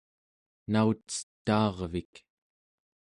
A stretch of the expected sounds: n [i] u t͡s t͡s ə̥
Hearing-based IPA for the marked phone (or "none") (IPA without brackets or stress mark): a